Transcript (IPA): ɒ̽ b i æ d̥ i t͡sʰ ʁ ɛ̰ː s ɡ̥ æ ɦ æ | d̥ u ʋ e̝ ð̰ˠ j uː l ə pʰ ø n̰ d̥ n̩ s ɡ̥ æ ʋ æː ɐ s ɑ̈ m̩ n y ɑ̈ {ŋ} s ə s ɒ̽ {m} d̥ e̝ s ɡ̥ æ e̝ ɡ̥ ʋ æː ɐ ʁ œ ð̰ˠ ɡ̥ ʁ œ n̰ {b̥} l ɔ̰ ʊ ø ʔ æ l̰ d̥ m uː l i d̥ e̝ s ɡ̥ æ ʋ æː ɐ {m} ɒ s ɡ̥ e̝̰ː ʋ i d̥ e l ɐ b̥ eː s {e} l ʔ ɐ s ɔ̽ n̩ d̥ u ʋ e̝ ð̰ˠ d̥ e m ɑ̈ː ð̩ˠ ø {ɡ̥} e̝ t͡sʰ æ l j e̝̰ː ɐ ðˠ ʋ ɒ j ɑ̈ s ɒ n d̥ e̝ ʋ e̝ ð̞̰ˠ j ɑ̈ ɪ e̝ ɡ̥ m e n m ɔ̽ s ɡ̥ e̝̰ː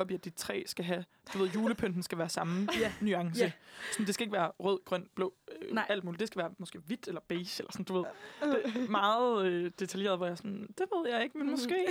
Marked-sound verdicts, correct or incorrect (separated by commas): correct, incorrect, correct, correct, correct, incorrect